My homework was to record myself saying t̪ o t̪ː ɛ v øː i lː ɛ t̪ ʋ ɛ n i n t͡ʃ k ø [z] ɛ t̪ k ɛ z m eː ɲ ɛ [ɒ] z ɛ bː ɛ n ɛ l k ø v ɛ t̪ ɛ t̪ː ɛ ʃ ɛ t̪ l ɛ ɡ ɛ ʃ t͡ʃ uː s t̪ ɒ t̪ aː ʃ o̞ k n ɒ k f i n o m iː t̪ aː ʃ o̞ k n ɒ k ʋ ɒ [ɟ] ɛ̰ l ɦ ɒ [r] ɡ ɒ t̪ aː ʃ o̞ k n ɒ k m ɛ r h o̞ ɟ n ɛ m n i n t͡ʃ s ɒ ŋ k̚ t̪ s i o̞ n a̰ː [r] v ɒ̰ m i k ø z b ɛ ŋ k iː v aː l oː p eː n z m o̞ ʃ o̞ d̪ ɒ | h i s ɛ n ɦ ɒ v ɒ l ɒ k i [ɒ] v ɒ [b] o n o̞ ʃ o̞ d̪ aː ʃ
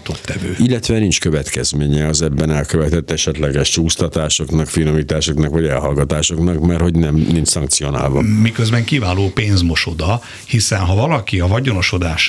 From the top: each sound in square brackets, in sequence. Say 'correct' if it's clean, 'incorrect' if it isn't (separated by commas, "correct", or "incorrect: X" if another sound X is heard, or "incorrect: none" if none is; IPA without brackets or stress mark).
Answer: incorrect: v, correct, correct, incorrect: l, incorrect: l, correct, incorrect: ɟ